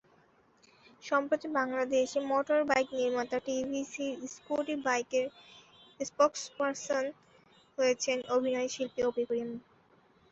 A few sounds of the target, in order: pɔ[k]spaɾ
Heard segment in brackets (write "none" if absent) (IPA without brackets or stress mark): k